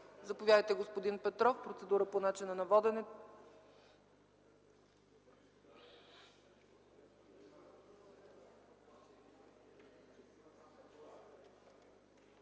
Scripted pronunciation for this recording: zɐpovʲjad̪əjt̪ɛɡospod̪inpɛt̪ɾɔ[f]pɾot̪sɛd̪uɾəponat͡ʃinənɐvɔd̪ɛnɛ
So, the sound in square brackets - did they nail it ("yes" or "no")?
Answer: yes